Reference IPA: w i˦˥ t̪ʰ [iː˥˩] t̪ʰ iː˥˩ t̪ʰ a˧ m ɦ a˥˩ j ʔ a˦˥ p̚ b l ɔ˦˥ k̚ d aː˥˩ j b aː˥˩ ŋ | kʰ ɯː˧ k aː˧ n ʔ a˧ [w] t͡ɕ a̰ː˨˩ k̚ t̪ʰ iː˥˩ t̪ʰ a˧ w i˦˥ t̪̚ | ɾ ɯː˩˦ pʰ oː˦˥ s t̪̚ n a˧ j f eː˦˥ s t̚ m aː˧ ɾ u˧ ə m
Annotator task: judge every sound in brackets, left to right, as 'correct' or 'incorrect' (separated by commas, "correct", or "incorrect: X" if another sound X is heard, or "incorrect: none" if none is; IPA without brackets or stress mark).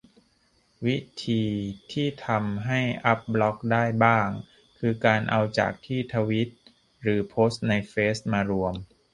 incorrect: iː˧, correct